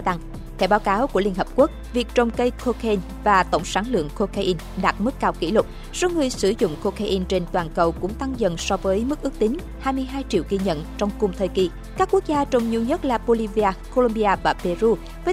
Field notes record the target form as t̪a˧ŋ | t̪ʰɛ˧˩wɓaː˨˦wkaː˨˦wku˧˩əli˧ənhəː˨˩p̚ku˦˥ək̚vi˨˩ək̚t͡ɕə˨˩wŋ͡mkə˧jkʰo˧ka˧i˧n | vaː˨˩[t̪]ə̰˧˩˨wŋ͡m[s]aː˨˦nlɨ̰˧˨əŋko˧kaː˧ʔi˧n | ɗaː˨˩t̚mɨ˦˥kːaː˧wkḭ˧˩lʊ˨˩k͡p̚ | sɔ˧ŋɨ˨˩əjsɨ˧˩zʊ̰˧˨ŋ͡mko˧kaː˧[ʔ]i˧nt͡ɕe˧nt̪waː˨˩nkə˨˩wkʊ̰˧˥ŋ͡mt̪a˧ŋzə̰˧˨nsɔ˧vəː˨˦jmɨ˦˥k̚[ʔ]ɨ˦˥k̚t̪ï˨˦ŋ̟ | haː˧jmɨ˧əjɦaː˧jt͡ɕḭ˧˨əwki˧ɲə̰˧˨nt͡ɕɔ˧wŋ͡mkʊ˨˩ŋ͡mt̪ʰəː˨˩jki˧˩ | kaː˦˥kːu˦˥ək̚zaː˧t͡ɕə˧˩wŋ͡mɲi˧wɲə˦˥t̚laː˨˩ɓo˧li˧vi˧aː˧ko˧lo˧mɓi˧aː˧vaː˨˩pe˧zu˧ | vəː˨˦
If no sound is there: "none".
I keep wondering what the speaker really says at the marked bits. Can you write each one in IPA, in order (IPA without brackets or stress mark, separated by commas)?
t̪, s, ʔ, ʔ